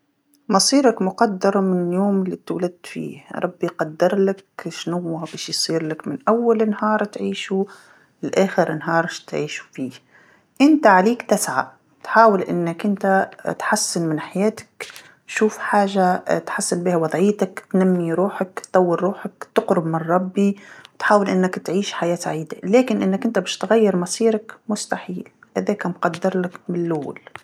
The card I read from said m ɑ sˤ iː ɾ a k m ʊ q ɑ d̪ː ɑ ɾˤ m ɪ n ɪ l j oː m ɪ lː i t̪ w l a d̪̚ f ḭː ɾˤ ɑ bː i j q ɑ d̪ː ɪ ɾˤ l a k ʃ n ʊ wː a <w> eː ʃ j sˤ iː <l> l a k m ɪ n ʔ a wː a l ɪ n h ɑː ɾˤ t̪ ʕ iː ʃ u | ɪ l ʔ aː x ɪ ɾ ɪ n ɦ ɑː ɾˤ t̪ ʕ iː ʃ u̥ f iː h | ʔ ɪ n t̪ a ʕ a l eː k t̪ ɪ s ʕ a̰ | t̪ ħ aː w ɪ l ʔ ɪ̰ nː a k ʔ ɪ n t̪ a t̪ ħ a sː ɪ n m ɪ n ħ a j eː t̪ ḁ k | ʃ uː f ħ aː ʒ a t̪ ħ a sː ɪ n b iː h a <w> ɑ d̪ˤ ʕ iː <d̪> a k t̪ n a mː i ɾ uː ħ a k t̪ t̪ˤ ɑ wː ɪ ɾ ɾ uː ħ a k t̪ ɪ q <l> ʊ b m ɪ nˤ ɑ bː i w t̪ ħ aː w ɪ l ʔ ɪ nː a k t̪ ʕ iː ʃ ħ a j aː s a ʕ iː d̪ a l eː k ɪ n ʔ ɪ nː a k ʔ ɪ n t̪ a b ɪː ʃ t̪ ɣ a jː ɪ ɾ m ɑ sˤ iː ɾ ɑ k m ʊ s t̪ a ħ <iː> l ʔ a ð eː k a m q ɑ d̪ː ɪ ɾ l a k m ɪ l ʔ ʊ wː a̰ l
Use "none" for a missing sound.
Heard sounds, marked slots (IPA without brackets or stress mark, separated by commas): b, ɾ, w, t̪, ɾ, iː